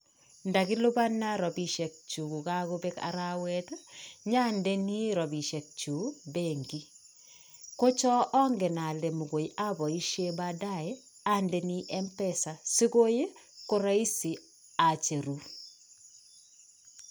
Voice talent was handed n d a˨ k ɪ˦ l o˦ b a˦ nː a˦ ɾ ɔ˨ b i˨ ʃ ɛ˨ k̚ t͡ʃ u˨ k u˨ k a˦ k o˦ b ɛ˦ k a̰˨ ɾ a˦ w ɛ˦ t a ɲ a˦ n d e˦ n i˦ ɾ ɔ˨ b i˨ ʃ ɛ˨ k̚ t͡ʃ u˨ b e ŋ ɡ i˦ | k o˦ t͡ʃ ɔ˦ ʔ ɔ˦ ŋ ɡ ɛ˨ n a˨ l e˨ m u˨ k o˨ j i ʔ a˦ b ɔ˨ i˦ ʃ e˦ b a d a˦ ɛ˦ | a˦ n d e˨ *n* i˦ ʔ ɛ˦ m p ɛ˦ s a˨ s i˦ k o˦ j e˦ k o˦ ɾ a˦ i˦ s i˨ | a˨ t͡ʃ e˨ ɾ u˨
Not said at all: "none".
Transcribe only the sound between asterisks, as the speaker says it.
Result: n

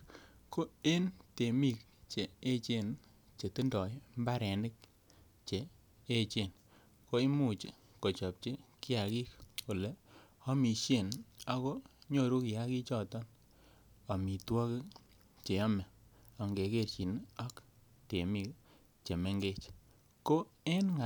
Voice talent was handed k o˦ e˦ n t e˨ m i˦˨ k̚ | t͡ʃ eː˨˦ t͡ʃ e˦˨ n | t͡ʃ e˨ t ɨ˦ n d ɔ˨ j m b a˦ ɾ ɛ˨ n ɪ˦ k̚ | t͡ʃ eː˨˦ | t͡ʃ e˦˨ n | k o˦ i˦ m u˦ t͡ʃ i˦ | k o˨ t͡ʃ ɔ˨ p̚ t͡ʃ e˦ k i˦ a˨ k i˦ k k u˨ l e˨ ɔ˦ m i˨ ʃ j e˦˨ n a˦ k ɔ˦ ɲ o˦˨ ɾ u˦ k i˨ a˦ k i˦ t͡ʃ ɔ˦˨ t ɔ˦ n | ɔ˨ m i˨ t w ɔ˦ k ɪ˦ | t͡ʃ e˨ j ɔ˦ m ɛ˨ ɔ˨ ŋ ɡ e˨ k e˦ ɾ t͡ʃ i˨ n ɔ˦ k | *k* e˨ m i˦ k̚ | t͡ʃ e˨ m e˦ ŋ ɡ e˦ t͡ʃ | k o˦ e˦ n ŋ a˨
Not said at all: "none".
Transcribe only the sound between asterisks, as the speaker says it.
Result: t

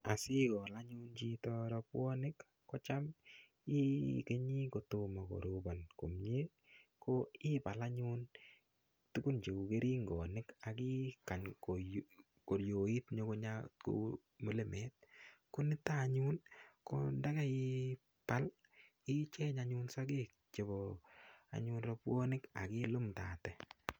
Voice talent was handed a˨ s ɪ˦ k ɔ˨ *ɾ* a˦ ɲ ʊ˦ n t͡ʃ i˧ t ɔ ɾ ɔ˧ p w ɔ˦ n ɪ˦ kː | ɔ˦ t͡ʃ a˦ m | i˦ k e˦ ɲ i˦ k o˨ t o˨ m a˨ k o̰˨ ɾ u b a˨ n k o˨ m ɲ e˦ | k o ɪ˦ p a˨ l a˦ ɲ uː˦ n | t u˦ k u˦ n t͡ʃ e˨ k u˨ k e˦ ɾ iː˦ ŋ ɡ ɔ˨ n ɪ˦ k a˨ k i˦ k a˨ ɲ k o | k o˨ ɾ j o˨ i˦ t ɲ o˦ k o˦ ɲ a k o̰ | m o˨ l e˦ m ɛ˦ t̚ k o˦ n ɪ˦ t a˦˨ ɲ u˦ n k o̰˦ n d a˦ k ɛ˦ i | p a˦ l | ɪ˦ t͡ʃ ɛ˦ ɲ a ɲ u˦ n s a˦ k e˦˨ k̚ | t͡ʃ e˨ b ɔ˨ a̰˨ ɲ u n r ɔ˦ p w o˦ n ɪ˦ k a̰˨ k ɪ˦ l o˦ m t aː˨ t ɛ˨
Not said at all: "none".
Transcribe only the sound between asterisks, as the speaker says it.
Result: l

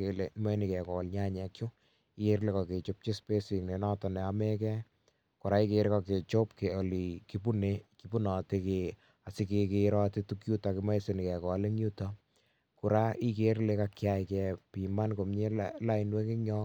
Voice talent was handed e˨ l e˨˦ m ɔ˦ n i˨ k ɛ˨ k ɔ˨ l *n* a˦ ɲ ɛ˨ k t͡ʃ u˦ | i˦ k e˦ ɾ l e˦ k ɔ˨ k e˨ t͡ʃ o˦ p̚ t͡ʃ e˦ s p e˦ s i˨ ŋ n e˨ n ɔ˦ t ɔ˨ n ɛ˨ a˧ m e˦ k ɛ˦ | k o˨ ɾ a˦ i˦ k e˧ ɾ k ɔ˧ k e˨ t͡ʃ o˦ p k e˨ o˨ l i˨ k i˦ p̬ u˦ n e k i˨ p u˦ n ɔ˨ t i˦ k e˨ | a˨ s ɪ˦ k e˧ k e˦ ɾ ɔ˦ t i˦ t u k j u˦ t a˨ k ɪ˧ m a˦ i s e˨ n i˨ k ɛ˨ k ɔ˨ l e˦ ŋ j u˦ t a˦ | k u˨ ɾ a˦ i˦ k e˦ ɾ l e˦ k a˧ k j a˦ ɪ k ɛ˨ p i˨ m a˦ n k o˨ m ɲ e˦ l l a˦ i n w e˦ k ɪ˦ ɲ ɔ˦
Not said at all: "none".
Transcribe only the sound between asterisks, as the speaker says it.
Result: ɲ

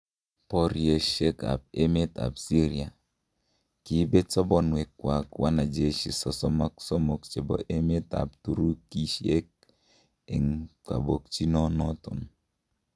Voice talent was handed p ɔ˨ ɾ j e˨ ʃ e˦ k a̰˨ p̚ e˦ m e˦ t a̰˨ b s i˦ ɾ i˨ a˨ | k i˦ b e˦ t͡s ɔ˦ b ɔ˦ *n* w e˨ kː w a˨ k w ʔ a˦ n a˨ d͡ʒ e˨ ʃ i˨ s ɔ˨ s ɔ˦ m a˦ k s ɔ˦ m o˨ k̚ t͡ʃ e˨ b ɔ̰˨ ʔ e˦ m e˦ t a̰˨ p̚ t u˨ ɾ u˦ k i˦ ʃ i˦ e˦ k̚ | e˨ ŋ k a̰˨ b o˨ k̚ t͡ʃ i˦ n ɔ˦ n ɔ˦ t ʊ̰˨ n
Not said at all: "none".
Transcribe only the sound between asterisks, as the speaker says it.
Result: n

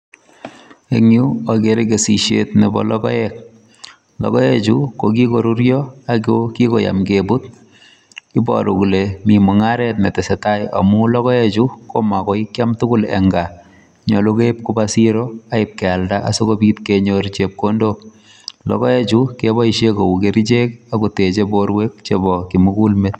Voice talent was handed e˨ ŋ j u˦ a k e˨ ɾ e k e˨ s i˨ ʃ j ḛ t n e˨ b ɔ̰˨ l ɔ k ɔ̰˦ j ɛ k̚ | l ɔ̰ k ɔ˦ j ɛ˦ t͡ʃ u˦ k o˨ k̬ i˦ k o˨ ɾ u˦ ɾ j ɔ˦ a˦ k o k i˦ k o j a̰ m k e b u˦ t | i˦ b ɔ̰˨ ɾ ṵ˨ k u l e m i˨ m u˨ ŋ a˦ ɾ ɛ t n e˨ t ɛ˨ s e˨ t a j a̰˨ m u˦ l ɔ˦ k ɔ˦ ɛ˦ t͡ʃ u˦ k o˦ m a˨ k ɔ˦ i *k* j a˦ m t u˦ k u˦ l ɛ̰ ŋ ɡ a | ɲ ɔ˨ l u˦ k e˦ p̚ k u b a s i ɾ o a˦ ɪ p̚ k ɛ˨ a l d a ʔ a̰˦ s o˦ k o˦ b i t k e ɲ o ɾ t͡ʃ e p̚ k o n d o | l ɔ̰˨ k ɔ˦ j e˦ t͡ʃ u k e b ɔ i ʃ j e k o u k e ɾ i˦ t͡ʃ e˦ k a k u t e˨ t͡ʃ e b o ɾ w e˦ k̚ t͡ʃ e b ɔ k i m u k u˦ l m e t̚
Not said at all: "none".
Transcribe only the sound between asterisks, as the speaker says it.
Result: k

